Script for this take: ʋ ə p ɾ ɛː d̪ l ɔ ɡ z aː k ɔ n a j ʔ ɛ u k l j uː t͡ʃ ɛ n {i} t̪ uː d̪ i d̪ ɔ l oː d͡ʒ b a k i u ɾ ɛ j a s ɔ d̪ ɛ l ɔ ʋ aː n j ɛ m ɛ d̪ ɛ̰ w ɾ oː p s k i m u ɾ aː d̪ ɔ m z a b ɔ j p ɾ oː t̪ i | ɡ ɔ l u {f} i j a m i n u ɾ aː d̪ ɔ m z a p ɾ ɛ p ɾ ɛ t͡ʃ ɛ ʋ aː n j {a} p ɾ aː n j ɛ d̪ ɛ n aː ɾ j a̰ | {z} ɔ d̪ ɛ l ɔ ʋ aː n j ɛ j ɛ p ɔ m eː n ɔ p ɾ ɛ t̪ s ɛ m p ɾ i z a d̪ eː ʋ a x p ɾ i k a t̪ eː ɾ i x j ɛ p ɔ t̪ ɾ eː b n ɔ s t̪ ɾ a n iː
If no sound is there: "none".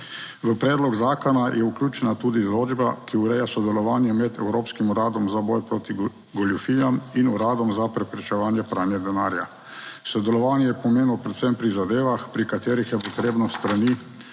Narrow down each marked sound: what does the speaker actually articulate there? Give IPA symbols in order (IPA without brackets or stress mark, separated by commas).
a, f, ɛ, s